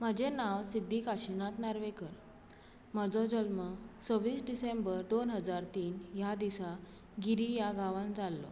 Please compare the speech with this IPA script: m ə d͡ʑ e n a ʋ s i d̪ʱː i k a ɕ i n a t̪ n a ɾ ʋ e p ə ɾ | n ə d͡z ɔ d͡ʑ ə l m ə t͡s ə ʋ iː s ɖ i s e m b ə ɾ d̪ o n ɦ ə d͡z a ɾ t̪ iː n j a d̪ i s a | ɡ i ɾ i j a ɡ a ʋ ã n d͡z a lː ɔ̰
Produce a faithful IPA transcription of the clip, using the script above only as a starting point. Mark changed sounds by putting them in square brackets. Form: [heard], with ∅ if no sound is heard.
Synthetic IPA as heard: m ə d͡ʑ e n a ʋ s i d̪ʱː i k a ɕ i n a t̪ n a ɾ ʋ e [k] ə ɾ | [m] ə d͡z ɔ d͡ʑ ə l m ə t͡s ə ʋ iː s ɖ i s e m b ə ɾ d̪ o n ɦ ə d͡z a ɾ t̪ iː n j a d̪ i s a | ɡ i ɾ i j a ɡ a ʋ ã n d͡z a lː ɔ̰